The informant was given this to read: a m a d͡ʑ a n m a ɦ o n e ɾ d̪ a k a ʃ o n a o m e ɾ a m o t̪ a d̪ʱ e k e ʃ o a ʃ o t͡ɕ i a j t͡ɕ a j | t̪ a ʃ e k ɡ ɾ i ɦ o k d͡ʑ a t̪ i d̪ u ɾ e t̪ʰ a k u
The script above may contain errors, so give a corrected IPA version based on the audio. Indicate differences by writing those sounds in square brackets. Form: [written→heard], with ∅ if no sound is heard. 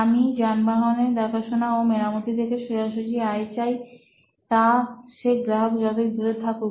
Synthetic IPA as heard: a m [a→i] d͡ʑ a n [m→b] a ɦ o n e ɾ d̪ a k a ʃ o n a o m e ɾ a m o t̪ [a→i] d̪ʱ e k e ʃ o a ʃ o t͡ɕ i a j t͡ɕ a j | t̪ a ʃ e k ɡ ɾ [i→a] ɦ o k d͡ʑ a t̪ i d̪ u ɾ e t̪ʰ a k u